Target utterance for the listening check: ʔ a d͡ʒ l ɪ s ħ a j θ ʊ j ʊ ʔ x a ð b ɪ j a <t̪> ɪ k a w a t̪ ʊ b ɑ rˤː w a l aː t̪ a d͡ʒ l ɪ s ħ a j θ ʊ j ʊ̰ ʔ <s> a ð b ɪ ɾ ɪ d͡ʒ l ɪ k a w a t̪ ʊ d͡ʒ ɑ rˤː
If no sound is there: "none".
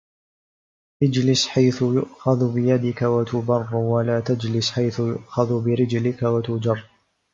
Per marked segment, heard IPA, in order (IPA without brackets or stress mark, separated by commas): d̪, x